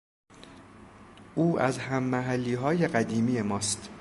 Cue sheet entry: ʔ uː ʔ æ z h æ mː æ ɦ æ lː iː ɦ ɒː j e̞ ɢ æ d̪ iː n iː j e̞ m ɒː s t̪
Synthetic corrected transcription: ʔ uː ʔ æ z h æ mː æ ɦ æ lː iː ɦ ɒː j e̞ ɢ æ d̪ iː m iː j e̞ m ɒː s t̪